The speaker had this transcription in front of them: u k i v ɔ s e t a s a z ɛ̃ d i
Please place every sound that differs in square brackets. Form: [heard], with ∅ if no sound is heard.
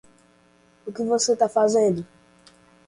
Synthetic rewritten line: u k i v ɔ s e t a [f] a z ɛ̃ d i

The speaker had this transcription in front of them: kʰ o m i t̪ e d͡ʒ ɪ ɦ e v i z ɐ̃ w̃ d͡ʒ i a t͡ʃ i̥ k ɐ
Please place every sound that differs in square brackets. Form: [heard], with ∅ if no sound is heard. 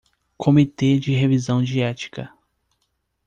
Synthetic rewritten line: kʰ o m i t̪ e d͡ʒ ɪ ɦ e v i z ɐ̃ w̃ d͡ʒ i [ɛ] t͡ʃ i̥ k ɐ

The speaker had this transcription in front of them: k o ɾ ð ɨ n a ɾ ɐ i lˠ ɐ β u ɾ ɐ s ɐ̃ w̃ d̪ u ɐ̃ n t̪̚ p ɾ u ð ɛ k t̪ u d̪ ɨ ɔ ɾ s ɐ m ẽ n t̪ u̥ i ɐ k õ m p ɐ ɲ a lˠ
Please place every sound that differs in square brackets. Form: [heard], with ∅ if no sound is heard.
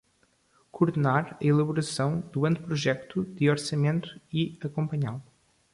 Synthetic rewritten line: k [u] ɾ ð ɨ n a ɾ ɐ i lˠ ɐ β u ɾ ɐ s ɐ̃ w̃ d̪ u ɐ̃ n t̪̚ p ɾ u [ʒ] ɛ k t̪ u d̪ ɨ ɔ ɾ s ɐ m ẽ n t̪ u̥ i ɐ k õ m p ɐ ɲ a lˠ

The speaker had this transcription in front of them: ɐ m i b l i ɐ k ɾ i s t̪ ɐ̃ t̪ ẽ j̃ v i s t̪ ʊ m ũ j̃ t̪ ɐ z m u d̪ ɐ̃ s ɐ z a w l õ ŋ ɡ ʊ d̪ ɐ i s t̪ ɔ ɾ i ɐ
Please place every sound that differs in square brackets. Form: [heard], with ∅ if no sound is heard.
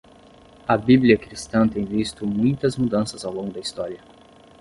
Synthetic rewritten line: ɐ [b] i b l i ɐ k ɾ i s t̪ ɐ̃ t̪ ẽ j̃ v i s t̪ ʊ m ũ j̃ t̪ ɐ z m u d̪ ɐ̃ s ɐ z a w l õ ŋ ɡ ʊ d̪ ɐ i s t̪ ɔ ɾ i ɐ

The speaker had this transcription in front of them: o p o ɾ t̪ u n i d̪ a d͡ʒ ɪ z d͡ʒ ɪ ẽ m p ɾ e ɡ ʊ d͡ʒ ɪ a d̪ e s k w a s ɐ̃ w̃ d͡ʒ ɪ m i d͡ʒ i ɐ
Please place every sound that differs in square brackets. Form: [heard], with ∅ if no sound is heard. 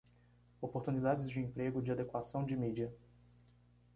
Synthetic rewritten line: o p o ɾ t̪ u n i d̪ a d͡ʒ ɪ z d͡ʒ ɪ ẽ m p ɾ e ɡ ʊ d͡ʒ ɪ a d̪ e [∅] k w a s ɐ̃ w̃ d͡ʒ ɪ m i d͡ʒ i ɐ

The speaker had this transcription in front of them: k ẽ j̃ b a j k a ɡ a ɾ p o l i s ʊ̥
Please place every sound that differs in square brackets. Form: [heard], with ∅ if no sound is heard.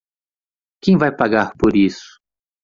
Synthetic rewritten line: k ẽ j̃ [v] a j [p] a ɡ a ɾ p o [ɾ] i s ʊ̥

